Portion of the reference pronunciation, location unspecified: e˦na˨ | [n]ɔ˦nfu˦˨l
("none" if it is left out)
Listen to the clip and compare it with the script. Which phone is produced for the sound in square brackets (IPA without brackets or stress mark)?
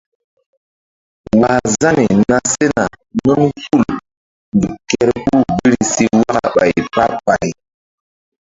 n